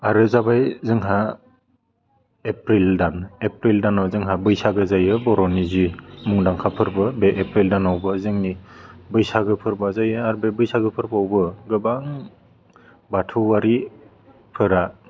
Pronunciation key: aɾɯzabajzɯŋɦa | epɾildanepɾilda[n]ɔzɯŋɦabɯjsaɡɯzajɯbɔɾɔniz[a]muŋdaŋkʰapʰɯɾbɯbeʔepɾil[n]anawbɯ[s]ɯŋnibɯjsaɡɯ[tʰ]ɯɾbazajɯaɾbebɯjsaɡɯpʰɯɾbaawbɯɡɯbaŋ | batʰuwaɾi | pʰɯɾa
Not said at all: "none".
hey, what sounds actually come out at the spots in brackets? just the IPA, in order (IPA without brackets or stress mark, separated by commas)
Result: n, i, d, z, pʰ